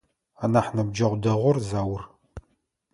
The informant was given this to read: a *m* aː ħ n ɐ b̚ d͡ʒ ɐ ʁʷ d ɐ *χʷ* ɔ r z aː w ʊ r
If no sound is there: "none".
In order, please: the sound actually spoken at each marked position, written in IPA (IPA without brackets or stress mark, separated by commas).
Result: n, ʁʷ